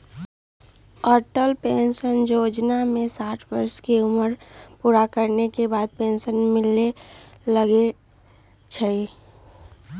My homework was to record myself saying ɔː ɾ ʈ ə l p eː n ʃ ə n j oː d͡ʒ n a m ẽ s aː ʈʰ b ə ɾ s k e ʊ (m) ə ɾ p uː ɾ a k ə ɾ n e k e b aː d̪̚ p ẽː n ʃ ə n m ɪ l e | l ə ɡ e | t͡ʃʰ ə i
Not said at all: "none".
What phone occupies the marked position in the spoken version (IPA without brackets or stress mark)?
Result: m